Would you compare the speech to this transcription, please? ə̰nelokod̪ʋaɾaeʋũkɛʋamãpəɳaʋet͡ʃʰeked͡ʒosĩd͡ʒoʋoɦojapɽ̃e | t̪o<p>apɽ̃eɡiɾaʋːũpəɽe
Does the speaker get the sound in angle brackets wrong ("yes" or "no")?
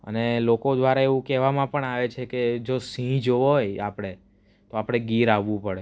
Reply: yes